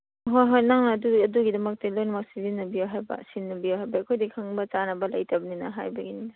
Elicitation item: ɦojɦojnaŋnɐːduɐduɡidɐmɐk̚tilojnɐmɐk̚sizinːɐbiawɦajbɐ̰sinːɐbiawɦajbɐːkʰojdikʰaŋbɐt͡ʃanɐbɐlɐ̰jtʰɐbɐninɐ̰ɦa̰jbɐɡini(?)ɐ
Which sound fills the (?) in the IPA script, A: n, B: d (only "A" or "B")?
A